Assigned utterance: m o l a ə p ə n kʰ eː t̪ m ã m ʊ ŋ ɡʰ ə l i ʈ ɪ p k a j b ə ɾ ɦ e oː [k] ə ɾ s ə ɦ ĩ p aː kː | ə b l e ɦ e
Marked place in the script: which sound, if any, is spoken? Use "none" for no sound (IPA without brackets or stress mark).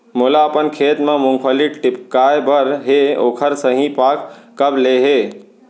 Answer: kʰ